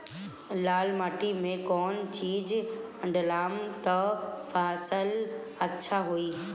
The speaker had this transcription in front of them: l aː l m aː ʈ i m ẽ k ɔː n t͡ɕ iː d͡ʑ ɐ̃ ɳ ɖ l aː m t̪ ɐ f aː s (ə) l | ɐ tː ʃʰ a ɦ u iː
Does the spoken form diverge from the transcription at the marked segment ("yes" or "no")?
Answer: no